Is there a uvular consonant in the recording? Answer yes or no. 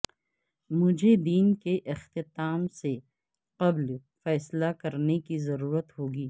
yes